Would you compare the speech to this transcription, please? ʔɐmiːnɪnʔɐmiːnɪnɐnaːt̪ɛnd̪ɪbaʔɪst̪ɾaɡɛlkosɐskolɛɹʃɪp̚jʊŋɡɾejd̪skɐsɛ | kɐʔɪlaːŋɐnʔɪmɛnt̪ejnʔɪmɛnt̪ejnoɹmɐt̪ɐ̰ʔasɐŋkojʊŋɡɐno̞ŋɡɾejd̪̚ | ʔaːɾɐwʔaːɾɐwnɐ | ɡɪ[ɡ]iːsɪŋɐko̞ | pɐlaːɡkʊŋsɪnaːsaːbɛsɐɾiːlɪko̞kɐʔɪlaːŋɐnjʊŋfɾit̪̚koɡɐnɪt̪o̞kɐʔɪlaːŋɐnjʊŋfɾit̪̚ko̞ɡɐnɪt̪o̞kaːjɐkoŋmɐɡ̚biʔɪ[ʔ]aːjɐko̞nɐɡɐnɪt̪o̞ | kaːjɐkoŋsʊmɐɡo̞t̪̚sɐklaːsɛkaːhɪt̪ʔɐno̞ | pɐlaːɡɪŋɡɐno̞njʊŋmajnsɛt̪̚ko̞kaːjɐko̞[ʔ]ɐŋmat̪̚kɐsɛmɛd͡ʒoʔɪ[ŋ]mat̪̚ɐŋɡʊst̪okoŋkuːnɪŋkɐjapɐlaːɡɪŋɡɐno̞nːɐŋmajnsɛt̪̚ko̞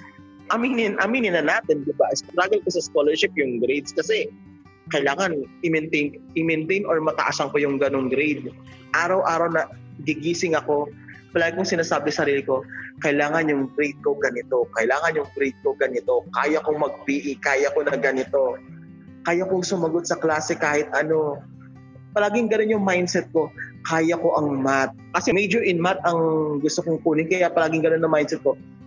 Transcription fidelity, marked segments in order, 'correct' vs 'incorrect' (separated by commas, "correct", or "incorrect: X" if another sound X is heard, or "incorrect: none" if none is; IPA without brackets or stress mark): correct, incorrect: k, correct, incorrect: n